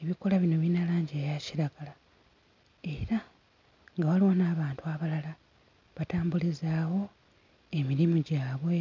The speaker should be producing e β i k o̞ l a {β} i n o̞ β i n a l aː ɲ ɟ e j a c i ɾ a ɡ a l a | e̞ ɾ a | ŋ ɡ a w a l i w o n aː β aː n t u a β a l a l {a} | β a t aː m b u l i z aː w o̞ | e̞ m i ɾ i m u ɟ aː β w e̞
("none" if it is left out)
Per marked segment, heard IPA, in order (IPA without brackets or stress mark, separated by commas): β, a